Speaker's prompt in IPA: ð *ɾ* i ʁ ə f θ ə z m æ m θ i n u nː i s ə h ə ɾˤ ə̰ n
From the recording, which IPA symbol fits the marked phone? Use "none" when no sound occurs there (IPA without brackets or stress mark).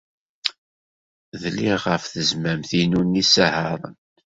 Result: l